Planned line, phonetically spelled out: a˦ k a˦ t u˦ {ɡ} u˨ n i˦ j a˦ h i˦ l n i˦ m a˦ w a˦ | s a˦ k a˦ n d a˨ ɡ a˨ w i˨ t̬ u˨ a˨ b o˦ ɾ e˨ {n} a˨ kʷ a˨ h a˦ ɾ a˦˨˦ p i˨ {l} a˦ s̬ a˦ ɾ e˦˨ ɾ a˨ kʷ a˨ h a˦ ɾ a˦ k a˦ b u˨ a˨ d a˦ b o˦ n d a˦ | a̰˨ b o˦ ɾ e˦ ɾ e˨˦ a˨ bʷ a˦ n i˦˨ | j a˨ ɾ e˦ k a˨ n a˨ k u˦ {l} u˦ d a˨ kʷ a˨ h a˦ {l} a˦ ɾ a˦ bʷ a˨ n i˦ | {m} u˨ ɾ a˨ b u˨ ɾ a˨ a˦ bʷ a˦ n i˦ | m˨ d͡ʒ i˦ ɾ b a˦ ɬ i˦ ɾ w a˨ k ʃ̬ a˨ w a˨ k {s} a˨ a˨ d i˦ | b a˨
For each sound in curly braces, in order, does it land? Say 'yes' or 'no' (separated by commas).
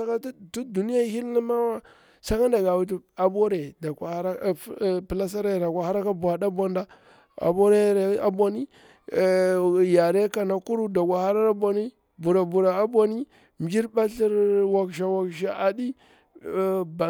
no, no, yes, no, no, no, no